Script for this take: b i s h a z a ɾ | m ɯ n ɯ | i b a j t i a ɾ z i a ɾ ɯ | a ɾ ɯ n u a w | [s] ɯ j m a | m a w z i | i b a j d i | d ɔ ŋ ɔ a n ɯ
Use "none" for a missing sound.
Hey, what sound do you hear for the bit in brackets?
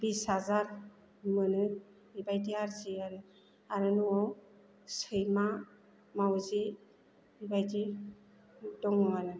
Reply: s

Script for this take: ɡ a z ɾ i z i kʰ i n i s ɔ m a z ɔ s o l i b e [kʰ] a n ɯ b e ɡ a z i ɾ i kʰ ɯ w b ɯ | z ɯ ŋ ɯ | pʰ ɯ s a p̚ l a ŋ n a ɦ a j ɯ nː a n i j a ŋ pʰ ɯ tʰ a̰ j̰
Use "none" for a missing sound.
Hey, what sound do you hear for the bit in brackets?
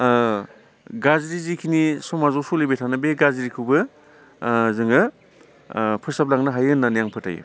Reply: tʰ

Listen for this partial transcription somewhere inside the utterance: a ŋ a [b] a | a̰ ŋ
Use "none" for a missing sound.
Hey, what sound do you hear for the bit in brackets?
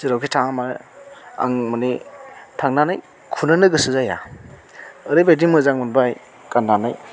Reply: m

